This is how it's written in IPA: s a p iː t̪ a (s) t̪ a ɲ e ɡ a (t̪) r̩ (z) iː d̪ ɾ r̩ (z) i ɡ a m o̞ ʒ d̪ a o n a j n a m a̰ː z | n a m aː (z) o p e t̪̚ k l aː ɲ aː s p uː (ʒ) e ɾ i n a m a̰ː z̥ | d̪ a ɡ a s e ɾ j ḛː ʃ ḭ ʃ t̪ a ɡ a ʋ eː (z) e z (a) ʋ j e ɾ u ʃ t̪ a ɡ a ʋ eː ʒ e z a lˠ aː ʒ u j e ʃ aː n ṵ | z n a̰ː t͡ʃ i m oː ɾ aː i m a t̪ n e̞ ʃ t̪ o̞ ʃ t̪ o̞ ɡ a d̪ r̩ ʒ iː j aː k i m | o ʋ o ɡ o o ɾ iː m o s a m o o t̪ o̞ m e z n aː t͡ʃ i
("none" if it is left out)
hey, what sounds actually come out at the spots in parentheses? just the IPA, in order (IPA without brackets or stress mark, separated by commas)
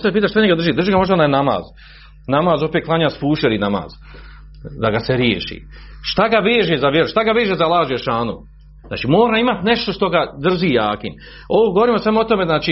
ʃ, d̪, ʒ, ʒ, z, ʃ, ʒ, a